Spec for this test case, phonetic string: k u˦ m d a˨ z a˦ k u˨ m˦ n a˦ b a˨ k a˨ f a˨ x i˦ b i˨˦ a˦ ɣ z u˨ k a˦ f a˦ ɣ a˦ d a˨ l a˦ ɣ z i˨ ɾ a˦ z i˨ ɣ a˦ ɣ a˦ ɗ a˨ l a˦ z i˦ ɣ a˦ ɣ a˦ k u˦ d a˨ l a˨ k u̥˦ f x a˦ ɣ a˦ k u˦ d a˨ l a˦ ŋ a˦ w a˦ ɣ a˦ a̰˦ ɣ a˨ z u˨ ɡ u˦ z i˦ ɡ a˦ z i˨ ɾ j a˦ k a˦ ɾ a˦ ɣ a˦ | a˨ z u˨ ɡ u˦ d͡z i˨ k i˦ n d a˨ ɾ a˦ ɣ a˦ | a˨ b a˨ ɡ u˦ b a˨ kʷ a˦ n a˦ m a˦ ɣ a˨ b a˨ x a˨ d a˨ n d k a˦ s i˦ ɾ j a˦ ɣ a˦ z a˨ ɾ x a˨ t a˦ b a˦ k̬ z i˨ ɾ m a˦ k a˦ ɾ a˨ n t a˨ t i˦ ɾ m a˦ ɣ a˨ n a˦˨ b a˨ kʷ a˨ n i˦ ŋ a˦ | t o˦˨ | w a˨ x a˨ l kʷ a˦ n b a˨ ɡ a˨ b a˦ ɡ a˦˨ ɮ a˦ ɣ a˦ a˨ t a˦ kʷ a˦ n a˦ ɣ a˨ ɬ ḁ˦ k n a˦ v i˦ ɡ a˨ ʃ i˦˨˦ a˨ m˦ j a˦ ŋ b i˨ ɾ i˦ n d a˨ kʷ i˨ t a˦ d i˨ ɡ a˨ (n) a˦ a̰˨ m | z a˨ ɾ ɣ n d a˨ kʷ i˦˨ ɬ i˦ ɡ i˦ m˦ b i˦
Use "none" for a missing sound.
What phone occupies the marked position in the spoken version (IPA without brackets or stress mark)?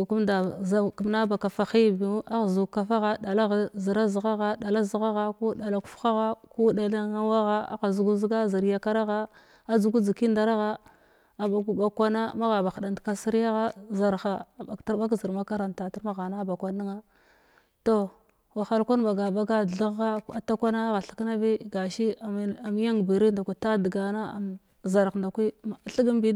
n